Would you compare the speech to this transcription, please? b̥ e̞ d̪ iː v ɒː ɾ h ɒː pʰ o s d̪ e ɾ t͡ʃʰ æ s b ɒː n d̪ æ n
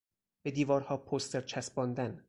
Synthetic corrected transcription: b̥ e̞ d̪ iː v ɒː ɾ h ɒː pʰ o s t̪ e ɾ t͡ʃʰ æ s b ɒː n d̪ æ n